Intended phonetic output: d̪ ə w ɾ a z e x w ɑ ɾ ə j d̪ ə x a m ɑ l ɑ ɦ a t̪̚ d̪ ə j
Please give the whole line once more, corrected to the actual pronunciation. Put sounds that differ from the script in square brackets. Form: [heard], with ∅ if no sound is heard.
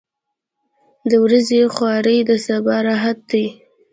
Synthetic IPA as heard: d̪ ə w ɾ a z e x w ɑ ɾ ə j d̪ ə [s] a [b] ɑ [ɾ] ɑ ɦ a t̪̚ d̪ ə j